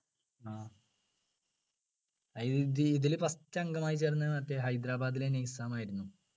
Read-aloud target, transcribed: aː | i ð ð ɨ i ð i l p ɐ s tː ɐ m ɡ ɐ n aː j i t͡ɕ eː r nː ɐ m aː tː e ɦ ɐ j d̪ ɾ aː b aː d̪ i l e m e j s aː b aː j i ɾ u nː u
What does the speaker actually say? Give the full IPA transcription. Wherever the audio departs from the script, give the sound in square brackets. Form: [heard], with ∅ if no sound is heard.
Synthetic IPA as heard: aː | i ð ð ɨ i ð i l p ɐ s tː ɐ [ŋ] ɡ ɐ [m] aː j i t͡ɕ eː r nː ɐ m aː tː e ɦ ɐ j d̪ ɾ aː b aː d̪ i l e [n] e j s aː [m] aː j i ɾ u nː u

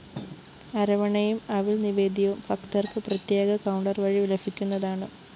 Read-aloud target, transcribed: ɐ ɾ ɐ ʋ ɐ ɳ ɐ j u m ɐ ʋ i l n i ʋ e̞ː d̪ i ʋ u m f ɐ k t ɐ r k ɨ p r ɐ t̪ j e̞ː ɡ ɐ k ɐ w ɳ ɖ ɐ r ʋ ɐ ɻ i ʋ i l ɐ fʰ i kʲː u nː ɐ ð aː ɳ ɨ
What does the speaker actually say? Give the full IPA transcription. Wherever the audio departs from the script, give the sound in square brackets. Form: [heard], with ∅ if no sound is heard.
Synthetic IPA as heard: ɐ ɾ ɐ ʋ ɐ ɳ ɐ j u m ɐ ʋ i l n i ʋ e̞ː d̪ i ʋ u m f ɐ k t ɐ r k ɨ p r ɐ t̪ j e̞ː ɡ ɐ k ɐ w ɳ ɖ ɐ r ʋ ɐ ɻ i ʋ i l ɐ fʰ i kʲː u nː ɐ ð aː ɳ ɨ

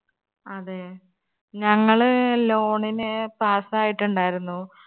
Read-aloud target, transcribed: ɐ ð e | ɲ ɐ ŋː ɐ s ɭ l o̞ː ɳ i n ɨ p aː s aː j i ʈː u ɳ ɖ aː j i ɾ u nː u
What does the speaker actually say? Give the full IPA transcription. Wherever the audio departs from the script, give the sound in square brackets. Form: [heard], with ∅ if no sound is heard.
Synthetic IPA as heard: ɐ ð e | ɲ ɐ ŋː ɐ [∅] ɭ l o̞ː ɳ i n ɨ p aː s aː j i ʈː u ɳ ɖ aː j i ɾ u nː u

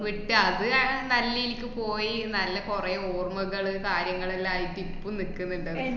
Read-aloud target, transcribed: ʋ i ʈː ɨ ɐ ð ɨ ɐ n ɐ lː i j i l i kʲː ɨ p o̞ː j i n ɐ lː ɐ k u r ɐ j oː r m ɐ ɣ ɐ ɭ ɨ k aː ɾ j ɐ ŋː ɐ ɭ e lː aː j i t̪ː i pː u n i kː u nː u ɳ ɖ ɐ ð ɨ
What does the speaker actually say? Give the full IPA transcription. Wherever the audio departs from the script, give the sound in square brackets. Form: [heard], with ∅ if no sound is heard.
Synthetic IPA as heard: ʋ i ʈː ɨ ɐ ð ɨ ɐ n ɐ lː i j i l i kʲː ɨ p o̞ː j i n ɐ lː ɐ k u r ɐ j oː r m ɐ ɣ ɐ ɭ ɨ k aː ɾ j ɐ ŋː ɐ ɭ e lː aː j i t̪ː i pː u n i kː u nː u ɳ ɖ ɐ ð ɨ

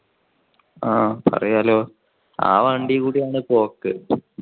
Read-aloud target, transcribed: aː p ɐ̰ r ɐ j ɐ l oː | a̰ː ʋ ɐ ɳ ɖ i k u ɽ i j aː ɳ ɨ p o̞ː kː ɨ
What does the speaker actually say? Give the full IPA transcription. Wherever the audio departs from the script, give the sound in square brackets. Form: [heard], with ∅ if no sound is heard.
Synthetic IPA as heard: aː p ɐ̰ r ɐ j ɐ l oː | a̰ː ʋ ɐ ɳ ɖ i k [uː] ɽ i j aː ɳ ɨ p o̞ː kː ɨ

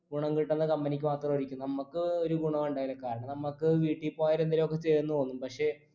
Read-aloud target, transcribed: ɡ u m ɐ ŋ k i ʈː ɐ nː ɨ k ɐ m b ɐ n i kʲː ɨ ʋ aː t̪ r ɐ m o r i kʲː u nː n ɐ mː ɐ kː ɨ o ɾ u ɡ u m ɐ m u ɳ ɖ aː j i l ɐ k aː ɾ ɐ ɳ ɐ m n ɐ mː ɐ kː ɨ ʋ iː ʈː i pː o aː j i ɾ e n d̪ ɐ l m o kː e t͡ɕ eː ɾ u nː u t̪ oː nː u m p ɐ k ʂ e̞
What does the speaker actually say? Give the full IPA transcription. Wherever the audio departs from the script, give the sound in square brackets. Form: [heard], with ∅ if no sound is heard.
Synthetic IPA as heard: ɡ u [ɳ] ɐ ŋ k i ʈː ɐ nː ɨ k ɐ m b ɐ n i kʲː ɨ ʋ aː t̪ r ɐ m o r i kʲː u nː n ɐ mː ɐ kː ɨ o ɾ u ɡ u [ɳ] ɐ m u ɳ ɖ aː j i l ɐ k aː ɾ ɐ ɳ ɐ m n ɐ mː ɐ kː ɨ ʋ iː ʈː i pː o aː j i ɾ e n d̪ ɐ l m o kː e t͡ɕ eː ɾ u nː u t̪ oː nː u m p ɐ k ʂ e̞

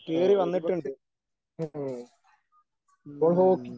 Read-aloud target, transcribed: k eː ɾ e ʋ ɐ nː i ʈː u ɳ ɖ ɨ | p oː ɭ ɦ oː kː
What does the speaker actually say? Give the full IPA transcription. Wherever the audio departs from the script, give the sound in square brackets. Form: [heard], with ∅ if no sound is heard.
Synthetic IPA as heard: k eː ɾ [i] ʋ ɐ nː i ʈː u ɳ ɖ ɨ | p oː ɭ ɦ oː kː

